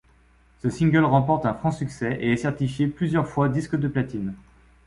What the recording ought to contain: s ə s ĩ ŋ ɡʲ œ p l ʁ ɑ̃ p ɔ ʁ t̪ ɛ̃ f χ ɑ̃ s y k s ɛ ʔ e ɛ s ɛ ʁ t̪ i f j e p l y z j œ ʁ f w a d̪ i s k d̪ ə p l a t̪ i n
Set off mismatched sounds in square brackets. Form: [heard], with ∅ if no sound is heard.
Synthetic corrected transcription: s ə s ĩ ŋ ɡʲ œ [∅] l ʁ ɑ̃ p ɔ ʁ t̪ ɛ̃ f χ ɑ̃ s y k s ɛ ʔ e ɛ s ɛ ʁ t̪ i f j e p l y z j œ ʁ f w a d̪ i s k d̪ ə p l a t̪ i n